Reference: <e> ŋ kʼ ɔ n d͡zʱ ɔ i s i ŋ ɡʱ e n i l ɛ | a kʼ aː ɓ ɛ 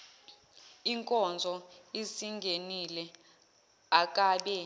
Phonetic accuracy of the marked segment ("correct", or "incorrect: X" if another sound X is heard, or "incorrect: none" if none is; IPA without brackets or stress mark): incorrect: i